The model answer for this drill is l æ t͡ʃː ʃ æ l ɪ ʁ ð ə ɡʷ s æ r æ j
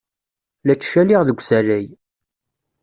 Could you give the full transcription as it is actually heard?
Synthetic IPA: l æ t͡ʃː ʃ æ l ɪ ʁ ð ə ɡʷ s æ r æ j